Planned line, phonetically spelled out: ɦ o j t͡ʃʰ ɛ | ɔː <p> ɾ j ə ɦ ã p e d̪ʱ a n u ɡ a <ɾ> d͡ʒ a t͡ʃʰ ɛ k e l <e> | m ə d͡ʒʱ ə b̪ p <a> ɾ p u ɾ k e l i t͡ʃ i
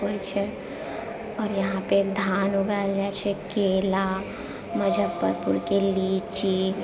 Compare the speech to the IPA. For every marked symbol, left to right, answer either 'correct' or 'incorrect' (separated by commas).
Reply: incorrect, incorrect, incorrect, incorrect